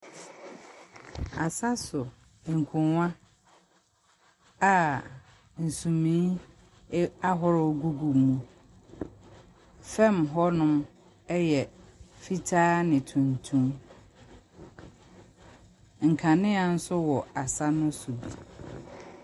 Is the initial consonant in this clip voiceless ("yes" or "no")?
yes